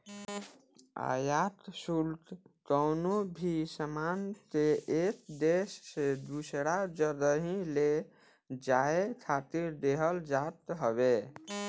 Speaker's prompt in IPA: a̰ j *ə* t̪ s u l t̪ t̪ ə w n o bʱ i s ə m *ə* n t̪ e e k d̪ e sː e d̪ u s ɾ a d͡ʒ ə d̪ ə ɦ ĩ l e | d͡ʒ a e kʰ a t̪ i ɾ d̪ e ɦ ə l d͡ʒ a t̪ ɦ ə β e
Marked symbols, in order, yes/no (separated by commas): no, no